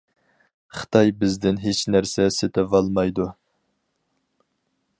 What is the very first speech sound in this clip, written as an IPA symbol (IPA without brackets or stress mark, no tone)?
χ